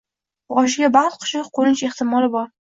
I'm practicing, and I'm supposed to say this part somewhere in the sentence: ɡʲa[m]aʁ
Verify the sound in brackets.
incorrect: b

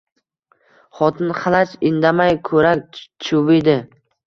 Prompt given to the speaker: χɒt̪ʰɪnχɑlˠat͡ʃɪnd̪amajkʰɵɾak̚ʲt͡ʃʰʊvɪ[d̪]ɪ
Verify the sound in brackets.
correct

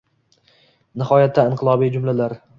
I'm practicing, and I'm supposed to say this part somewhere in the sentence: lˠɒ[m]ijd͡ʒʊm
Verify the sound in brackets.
incorrect: b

